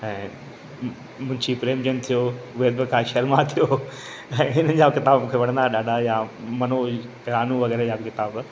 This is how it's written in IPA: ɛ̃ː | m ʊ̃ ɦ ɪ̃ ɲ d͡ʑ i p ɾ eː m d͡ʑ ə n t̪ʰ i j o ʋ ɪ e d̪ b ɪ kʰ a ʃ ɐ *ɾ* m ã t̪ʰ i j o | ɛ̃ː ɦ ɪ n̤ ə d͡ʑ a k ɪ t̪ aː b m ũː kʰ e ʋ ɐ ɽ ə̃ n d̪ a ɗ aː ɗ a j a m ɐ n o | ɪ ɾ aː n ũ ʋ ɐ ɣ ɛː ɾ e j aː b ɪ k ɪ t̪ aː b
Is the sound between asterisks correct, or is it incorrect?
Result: correct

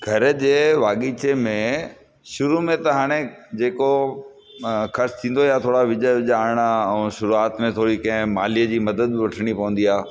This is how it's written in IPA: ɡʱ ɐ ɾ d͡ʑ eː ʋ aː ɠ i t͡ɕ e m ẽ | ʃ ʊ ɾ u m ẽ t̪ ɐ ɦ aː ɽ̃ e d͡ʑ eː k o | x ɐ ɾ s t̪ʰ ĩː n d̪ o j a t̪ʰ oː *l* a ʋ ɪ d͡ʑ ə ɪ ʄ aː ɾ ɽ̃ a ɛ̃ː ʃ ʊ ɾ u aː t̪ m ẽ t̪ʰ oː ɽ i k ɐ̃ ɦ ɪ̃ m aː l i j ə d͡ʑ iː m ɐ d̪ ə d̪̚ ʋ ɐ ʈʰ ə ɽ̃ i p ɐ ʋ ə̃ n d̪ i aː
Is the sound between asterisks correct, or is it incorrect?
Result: incorrect: ɽ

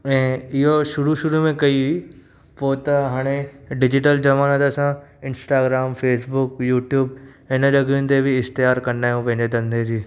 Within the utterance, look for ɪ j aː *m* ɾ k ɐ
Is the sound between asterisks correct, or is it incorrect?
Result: incorrect: none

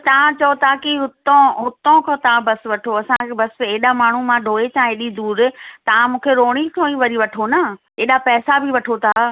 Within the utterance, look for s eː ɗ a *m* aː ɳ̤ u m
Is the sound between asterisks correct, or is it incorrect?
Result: correct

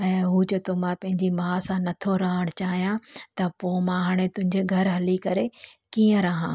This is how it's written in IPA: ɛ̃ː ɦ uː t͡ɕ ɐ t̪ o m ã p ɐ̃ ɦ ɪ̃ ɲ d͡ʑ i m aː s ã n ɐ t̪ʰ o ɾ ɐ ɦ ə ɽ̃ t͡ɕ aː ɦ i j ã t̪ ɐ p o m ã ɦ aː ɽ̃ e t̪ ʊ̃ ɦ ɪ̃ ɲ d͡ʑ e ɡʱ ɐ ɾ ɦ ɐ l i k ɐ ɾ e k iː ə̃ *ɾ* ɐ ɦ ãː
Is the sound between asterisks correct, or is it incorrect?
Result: correct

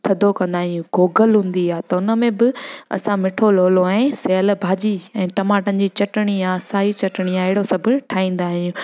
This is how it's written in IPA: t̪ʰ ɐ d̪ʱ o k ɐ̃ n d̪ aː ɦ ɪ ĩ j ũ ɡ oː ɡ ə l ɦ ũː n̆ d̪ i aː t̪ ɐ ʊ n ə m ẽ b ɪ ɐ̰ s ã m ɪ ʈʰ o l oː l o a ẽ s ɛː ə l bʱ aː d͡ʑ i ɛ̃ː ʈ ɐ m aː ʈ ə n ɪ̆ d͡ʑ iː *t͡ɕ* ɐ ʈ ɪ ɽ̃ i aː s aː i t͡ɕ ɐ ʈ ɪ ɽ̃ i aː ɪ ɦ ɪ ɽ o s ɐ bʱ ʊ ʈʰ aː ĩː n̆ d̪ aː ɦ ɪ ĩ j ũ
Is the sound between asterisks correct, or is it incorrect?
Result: correct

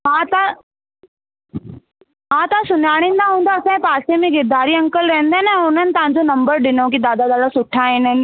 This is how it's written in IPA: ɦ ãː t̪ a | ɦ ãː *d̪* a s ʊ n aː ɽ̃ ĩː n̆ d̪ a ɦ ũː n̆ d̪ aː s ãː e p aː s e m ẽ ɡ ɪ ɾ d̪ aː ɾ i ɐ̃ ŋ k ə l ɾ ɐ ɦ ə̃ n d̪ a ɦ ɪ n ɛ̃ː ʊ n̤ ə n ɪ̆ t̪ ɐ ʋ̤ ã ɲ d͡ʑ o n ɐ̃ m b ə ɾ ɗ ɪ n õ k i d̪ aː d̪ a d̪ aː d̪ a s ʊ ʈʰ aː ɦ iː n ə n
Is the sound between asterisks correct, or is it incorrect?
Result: incorrect: t̪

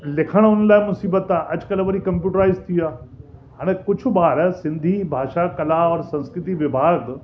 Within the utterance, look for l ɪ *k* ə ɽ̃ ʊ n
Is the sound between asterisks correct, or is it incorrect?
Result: incorrect: kʰ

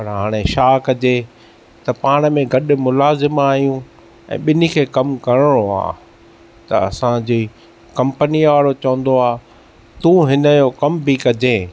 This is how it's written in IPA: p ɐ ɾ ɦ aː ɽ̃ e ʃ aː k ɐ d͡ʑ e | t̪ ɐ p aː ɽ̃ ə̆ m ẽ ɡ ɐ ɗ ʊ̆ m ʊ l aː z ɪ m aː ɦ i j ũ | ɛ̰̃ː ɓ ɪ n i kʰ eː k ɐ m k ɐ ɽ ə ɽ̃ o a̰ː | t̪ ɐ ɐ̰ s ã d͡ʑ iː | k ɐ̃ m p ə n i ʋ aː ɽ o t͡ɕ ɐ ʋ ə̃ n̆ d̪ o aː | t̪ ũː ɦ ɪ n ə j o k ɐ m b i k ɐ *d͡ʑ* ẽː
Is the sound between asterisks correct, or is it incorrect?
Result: correct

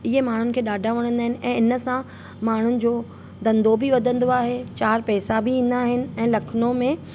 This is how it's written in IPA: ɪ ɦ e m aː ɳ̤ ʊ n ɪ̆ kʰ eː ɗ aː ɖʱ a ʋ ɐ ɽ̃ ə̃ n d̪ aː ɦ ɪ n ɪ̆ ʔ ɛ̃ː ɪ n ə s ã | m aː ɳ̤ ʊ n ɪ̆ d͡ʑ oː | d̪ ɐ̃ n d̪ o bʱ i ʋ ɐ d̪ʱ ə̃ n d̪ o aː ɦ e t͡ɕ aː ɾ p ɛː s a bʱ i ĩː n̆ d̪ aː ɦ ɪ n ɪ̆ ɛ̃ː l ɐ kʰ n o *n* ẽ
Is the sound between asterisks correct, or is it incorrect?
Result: incorrect: m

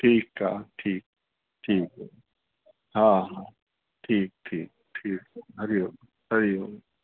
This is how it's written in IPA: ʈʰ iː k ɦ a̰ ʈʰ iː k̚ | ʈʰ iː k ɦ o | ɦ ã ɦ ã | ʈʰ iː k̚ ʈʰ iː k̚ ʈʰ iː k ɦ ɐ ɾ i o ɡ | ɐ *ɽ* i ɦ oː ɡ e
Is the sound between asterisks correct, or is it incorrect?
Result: incorrect: ɾ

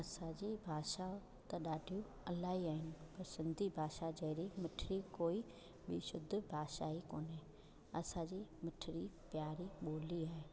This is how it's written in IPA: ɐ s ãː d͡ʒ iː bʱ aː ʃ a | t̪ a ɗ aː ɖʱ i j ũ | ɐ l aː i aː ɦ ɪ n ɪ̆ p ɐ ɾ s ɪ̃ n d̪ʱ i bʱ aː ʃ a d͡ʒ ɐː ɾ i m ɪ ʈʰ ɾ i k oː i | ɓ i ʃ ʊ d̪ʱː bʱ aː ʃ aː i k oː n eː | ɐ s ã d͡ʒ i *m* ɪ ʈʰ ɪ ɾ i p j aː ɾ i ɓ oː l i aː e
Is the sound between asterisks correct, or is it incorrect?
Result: correct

